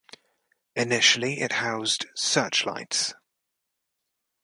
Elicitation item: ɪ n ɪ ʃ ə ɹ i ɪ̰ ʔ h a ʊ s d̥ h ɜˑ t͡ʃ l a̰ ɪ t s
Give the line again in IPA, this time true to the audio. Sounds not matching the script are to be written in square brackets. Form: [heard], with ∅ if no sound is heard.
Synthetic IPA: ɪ n ɪ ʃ ə [l] i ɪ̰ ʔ h a ʊ [z] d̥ [s] ɜˑ t͡ʃ l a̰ ɪ t s